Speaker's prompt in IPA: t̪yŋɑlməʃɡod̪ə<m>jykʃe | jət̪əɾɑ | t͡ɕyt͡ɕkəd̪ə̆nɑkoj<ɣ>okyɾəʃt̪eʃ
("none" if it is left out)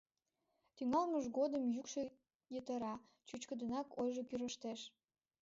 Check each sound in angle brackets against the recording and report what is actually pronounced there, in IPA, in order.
m, ʒ

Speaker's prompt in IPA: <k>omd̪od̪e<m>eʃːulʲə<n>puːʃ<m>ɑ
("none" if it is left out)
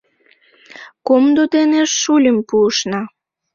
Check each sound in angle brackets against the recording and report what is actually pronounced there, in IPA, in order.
k, n, m, n

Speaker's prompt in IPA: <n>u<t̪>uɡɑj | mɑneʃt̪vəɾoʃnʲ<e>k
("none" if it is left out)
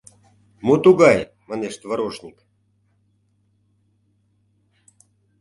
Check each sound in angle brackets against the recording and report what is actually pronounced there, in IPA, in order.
m, t̪, i

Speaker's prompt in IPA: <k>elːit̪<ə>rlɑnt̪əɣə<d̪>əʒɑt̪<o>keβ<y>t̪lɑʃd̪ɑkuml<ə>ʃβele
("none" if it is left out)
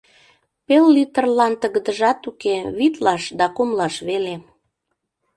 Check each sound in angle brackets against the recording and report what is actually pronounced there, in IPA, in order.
p, ə, d̪, u, i, ɑ

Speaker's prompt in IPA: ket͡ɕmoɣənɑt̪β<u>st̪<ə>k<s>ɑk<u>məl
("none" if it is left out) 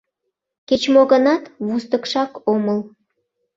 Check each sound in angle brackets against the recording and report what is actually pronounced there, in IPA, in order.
u, ə, ʃ, o

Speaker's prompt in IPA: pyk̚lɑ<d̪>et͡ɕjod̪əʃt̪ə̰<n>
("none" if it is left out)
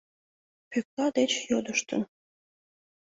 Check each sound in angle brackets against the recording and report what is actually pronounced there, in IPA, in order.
d̪, n

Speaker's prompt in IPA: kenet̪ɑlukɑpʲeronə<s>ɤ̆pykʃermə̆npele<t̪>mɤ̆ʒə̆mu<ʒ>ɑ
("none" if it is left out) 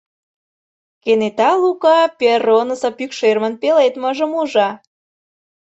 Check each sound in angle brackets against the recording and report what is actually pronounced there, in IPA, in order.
s, t̪, ʒ

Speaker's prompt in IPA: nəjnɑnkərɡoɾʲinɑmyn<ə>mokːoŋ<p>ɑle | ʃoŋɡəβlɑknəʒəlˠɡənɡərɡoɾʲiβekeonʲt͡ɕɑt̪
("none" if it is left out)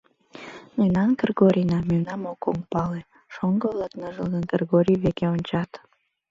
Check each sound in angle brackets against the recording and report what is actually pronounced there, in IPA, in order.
ɑ, p

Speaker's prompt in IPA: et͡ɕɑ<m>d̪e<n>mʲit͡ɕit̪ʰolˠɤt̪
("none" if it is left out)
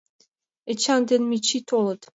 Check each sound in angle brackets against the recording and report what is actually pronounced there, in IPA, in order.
n, n

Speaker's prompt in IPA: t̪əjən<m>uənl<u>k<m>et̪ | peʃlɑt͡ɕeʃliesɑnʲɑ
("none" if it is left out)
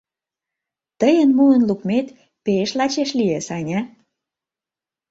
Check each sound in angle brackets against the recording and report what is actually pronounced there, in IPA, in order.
m, u, m

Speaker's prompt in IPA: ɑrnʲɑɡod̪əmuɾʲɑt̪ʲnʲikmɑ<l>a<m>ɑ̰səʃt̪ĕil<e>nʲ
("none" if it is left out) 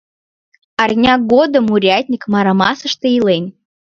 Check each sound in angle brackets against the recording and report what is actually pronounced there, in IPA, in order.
ɾ, m, e

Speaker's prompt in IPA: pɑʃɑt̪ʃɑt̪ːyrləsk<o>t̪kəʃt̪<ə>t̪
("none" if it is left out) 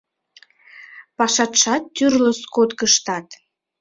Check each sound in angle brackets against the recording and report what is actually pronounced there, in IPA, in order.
o, ɑ

